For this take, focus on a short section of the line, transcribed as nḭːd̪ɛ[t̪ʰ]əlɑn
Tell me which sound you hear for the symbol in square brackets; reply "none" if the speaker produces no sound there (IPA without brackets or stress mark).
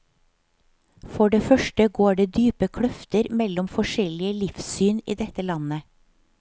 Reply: t̪